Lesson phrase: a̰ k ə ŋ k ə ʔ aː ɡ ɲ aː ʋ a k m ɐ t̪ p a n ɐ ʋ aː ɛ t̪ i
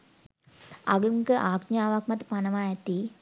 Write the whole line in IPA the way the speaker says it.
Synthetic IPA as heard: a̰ ɡ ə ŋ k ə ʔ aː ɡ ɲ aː ʋ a k m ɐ t̪ p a n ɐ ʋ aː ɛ t̪ i